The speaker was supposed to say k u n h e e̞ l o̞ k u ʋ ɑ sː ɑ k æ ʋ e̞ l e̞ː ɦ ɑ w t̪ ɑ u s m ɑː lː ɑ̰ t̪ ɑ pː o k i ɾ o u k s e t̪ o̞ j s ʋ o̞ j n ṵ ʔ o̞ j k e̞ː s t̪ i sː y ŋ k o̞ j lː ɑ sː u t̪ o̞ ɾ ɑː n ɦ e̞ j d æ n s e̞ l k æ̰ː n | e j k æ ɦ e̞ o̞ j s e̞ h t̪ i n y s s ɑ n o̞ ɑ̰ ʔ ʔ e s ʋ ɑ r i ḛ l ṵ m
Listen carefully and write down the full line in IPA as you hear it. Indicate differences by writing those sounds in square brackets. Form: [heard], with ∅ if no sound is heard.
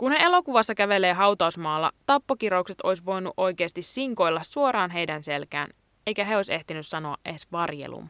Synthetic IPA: k u n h e e̞ l o̞ k u ʋ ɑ sː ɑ k æ ʋ e̞ l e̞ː ɦ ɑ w t̪ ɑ u s m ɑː lː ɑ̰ t̪ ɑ pː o k i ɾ o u k s e t̪ o̞ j s ʋ o̞ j n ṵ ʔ o̞ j k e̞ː s t̪ i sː [i] ŋ k o̞ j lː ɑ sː u [∅] o̞ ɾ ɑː n ɦ e̞ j d æ n s e̞ l k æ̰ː n | e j k æ ɦ e̞ o̞ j s e̞ h t̪ i n y s s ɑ n o̞ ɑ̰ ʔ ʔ e s ʋ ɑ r [j] ḛ l ṵ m